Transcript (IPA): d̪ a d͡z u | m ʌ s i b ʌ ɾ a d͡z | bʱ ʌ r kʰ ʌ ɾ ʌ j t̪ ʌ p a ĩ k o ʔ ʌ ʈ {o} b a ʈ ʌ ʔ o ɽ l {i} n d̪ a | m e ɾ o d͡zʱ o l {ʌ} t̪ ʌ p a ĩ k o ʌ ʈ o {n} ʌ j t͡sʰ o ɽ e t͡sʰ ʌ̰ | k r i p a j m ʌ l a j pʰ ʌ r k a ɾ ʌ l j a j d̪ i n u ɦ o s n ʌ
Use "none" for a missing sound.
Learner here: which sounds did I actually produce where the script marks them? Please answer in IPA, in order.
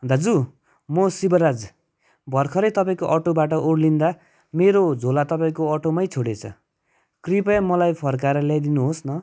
o, i, a, m

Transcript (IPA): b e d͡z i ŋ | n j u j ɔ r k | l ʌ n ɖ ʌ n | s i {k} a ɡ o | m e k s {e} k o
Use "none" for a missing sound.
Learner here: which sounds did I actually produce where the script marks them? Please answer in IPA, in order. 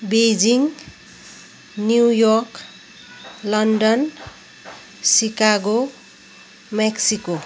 k, i

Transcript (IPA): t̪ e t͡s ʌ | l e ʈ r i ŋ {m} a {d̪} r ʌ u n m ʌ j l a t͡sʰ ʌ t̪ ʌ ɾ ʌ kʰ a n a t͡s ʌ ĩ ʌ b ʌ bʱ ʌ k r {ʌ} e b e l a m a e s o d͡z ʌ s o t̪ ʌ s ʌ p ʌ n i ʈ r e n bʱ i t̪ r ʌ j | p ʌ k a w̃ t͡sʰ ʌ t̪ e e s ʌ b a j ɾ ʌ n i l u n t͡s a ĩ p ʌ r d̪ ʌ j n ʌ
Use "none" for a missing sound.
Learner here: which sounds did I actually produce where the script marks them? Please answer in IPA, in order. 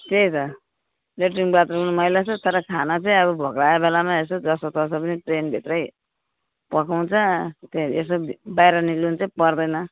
b, t̪, a

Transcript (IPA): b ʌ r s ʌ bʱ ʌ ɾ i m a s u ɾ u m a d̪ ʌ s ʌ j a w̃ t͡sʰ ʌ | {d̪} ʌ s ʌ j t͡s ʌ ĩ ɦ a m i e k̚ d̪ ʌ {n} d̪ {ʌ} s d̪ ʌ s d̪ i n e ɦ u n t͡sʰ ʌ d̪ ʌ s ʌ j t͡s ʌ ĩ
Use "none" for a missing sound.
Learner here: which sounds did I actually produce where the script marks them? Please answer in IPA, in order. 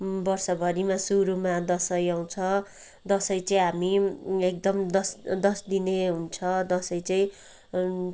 d̪, m, ʌ

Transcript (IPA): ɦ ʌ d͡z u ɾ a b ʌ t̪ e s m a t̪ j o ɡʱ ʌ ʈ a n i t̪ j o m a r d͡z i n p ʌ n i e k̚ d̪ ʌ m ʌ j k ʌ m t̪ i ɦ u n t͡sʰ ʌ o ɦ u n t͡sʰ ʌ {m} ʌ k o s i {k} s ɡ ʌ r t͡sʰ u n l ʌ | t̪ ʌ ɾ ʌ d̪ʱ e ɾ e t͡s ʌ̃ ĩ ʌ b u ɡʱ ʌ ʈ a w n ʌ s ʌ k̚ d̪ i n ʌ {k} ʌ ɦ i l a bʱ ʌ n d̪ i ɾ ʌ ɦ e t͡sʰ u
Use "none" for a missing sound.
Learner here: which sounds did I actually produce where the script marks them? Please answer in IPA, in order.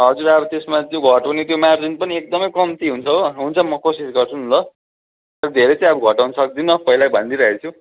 m, none, p

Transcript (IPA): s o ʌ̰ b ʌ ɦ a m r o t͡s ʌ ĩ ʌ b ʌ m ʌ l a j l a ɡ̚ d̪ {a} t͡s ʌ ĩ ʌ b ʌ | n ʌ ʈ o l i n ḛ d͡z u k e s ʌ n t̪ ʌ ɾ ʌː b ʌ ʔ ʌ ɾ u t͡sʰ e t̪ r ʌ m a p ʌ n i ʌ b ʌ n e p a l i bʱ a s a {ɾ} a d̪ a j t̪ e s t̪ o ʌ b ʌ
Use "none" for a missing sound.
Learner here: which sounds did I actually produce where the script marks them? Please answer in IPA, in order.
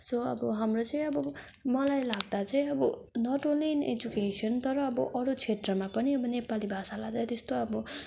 a, l

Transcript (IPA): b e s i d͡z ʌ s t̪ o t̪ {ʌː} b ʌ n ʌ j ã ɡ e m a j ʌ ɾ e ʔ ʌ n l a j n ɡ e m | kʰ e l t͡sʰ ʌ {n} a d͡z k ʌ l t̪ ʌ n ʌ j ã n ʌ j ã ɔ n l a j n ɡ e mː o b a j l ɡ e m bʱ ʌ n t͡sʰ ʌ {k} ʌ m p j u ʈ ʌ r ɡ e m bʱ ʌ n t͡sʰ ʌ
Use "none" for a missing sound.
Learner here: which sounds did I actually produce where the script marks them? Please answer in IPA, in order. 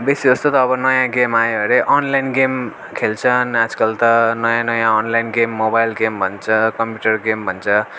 ʌː, n, k

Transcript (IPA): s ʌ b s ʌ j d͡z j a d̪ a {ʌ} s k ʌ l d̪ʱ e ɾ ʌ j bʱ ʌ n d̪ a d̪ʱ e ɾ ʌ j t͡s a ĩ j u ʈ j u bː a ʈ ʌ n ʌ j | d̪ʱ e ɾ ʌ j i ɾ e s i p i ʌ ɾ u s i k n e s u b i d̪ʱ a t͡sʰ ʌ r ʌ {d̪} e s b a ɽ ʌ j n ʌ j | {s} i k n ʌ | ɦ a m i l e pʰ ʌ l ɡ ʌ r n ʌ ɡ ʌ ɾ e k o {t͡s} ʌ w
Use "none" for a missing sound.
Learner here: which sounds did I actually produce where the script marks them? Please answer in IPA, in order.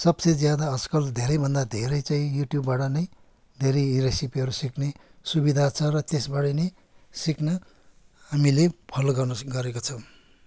ʌ, t̪, s, t͡sʰ

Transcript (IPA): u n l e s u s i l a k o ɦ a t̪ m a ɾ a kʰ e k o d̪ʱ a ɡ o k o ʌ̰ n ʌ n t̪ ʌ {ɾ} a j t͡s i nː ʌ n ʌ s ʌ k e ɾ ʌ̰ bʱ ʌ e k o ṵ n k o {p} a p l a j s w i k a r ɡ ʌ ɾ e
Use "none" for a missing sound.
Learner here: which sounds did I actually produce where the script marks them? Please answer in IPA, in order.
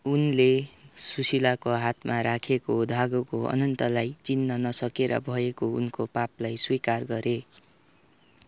l, p

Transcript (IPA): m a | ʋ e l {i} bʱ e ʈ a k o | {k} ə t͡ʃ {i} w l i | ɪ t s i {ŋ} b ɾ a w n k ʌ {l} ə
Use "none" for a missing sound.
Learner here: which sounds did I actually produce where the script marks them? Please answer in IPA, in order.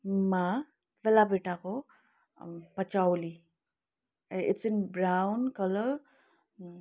a, p, a, n, l

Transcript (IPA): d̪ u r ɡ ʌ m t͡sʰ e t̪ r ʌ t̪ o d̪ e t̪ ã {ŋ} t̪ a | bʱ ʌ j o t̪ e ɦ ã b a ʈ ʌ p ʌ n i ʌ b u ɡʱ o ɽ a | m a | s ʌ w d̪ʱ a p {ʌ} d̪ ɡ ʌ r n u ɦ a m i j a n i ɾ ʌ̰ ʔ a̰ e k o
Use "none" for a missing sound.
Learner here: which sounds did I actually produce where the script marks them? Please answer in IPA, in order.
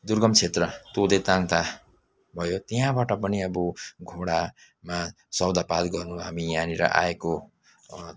ŋ, a

